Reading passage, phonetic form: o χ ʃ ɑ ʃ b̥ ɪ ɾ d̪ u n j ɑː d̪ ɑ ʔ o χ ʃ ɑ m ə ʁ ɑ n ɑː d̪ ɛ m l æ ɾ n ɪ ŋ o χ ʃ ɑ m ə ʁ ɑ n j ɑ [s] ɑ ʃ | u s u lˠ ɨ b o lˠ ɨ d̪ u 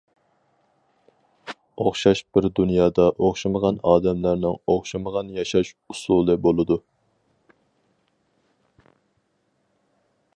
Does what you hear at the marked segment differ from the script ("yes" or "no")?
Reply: yes